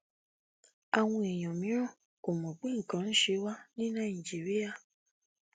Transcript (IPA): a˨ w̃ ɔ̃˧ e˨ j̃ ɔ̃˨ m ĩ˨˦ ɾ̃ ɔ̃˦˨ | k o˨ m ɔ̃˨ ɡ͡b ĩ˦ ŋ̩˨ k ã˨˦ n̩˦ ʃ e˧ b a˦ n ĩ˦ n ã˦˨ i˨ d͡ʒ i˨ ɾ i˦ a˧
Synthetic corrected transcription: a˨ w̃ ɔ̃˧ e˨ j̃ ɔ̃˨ m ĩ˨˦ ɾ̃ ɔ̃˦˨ | k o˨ m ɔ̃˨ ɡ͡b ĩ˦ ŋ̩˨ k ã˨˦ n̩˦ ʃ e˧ w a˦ n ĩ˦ n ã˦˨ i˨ d͡ʒ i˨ ɾ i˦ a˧

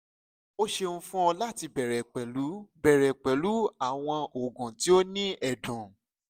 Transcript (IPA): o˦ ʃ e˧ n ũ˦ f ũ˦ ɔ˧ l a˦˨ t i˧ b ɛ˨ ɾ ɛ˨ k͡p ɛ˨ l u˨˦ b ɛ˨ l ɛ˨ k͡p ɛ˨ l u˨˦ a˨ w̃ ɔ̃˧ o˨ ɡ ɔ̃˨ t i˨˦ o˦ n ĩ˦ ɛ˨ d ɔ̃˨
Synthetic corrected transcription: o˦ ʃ e˧ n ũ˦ f ũ˦ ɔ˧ l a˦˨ t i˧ b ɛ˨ ɾ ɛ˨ k͡p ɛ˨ l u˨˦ b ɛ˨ ɾ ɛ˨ k͡p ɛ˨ l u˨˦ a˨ w̃ ɔ̃˧ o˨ ɡ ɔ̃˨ t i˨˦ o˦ n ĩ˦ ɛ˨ d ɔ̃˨

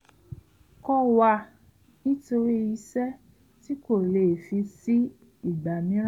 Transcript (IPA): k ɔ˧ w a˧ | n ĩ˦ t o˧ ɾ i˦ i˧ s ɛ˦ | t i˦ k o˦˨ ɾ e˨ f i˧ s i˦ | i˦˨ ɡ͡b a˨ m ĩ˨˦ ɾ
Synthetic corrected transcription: k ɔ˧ w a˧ | n ĩ˦ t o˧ ɾ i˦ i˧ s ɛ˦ | t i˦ k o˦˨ l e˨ f i˧ s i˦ | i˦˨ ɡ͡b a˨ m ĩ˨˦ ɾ

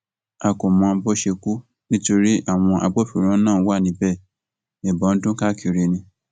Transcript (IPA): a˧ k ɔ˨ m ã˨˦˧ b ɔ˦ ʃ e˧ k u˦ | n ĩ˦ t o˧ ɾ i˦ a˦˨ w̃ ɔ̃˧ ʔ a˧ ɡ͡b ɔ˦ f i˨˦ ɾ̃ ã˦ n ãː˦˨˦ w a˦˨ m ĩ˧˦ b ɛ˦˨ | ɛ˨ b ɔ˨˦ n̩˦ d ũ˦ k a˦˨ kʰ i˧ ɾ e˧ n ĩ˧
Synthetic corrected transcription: a˧ k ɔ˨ m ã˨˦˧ b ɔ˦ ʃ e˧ k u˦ | n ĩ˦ t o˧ ɾ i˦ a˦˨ w̃ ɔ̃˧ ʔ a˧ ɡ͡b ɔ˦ f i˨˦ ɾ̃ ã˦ n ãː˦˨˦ w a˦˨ n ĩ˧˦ b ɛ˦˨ | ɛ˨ b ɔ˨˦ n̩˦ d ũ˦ k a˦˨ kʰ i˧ ɾ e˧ n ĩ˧

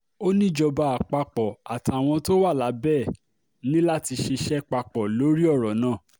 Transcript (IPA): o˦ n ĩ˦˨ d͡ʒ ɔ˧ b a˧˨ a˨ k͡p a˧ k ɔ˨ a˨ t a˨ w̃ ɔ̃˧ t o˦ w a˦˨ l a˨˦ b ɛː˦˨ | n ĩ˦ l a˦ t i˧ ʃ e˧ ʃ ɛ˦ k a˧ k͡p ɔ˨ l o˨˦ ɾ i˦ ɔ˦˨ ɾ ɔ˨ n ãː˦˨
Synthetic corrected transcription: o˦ n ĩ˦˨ d͡ʒ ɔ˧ b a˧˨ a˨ k͡p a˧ k͡p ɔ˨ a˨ t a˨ w̃ ɔ̃˧ t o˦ w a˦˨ l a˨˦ b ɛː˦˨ | n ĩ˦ l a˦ t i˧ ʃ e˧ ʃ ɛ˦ k͡p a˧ k͡p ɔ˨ l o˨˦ ɾ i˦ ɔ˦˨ ɾ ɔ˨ n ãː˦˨

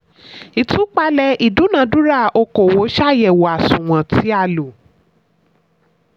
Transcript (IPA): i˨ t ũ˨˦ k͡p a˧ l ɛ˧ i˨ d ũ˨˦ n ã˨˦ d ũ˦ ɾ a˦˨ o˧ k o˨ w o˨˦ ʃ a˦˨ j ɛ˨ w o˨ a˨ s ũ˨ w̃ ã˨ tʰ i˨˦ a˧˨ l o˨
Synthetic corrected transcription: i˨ t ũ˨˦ k͡p a˧ l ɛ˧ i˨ d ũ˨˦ n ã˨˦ d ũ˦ ɾ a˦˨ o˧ k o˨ w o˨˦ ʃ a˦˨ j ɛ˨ w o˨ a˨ s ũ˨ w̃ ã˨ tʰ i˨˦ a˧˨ l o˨

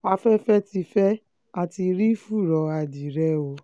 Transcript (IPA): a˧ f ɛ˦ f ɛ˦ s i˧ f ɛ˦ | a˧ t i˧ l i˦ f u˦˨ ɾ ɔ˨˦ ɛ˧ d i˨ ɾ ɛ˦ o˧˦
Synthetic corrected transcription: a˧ f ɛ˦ f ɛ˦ t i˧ f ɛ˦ | a˧ t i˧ ɾ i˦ f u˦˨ ɾ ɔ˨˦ a˧ d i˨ ɾ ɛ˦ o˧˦

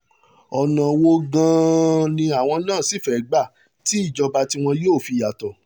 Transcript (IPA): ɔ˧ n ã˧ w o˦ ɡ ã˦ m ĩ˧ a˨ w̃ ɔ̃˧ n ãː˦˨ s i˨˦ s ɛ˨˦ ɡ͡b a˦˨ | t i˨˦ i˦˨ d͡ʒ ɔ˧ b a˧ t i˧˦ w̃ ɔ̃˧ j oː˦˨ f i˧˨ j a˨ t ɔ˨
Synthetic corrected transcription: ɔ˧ n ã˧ w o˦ ɡ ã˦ n ĩ˧ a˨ w̃ ɔ̃˧ n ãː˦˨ s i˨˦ f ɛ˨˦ ɡ͡b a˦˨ | t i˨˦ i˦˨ d͡ʒ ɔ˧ b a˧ t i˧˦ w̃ ɔ̃˧ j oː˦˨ f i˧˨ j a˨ t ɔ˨

